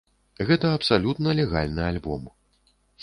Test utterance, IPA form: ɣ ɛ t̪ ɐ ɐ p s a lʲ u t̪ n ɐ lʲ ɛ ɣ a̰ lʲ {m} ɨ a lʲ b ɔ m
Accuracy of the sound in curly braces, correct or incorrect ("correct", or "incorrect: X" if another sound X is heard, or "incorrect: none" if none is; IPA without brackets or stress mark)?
incorrect: n